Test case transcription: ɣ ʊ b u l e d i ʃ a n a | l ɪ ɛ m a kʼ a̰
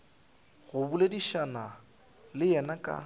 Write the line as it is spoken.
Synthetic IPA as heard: ɣ ʊ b u l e d i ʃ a n a | l ɪ ɛ n a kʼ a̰